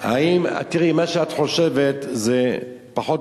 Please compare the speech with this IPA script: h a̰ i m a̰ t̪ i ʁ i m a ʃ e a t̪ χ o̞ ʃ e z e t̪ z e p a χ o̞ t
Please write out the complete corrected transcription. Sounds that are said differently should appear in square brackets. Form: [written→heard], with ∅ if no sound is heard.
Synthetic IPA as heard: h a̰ i m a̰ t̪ i ʁ i m a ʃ e a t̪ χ o̞ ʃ e [z→v] e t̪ z e p a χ o̞ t